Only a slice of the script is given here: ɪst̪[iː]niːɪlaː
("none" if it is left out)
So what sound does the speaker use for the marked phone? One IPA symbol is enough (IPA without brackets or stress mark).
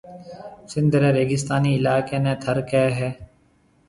aː